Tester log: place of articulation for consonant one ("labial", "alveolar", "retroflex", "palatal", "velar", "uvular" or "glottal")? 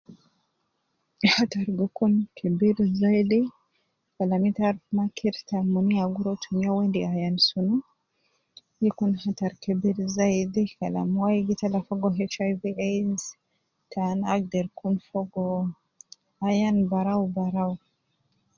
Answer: glottal